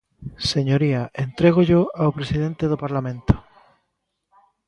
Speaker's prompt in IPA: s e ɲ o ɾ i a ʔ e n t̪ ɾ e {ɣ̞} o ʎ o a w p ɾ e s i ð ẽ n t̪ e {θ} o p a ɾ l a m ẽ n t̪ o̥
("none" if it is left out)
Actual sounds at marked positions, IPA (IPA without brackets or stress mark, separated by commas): ɣ̞, ð